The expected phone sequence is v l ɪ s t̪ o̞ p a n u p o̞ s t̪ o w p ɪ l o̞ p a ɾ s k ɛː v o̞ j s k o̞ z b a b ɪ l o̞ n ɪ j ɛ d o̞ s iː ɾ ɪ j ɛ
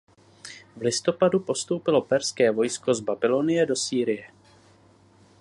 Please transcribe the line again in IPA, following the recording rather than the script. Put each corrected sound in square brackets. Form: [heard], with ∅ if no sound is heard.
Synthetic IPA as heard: v l ɪ s t̪ o̞ p a [d] u p o̞ s t̪ o w p ɪ l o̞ p [ɛ] ɾ s k ɛː v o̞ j s k o̞ z b a b ɪ l o̞ n ɪ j ɛ d o̞ s iː ɾ ɪ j ɛ